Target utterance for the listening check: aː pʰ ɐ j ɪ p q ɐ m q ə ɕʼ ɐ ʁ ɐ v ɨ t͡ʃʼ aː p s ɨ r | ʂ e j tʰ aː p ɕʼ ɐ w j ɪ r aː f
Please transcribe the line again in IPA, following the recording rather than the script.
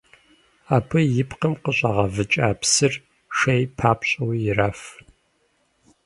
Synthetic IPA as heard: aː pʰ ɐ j ɪ p q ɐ m q ə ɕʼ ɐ ʁ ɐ v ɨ t͡ʃʼ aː p s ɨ r | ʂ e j pʰ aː p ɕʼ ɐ w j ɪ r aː f